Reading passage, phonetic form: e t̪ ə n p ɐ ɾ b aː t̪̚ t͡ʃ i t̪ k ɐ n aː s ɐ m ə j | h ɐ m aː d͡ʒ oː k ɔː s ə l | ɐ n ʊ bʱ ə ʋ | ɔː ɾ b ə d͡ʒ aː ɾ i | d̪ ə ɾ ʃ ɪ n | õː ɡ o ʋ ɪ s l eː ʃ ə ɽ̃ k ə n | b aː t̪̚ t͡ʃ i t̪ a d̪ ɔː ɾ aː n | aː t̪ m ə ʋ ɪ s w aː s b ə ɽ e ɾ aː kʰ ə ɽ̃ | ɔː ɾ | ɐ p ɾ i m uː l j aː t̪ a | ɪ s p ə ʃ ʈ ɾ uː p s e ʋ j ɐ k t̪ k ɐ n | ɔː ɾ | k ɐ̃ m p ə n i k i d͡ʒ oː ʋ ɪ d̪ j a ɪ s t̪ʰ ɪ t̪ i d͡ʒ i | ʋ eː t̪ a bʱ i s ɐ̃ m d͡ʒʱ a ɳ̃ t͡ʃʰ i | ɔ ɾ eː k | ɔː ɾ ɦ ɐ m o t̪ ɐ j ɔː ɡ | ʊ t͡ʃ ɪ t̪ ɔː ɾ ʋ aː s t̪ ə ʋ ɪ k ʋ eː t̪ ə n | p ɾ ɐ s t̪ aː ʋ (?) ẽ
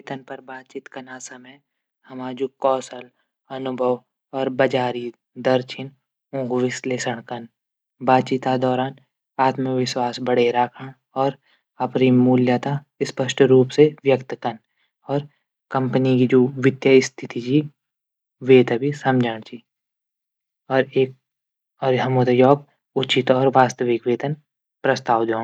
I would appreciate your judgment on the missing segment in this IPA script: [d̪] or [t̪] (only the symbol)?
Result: d̪